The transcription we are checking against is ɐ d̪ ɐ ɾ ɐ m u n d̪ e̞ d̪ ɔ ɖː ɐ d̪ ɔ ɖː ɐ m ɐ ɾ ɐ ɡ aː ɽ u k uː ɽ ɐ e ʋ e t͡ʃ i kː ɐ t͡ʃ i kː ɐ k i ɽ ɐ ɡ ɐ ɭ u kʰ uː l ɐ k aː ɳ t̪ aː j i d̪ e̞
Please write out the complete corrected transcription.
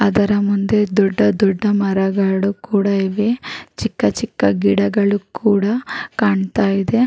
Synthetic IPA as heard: ɐ d̪ ɐ ɾ ɐ m u n d̪ e̞ d̪ ɔ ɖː ɐ d̪ ɔ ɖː ɐ m ɐ ɾ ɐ ɡ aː ɽ u k uː ɽ ɐ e ʋ e t͡ʃ i kː ɐ t͡ʃ i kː ɐ ɡ i ɽ ɐ ɡ ɐ ɭ u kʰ uː ɽ ɐ k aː ɳ t̪ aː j i d̪ e̞